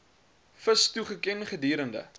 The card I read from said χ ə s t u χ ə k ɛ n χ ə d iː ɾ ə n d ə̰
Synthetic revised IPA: f ə s t u χ ə k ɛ n χ ə d iː ɾ ə n d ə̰